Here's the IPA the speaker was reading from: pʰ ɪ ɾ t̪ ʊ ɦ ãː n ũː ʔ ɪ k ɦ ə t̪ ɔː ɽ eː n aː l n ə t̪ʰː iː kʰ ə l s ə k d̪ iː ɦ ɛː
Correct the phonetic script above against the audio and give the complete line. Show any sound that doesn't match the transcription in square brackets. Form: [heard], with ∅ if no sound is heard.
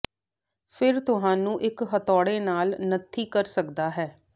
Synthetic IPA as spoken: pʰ ɪ ɾ t̪ ʊ ɦ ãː n ũː ʔ ɪ k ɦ ə t̪ ɔː ɽ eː n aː l n ə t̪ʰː iː [k] ə [ɾ] s ə k d̪ [aː] ɦ ɛː